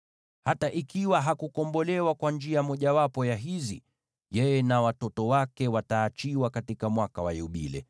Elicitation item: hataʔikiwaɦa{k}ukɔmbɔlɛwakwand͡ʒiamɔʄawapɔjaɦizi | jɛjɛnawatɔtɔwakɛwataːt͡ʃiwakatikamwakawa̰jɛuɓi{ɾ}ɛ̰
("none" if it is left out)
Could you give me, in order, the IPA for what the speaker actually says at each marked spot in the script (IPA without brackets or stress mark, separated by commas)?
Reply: k, l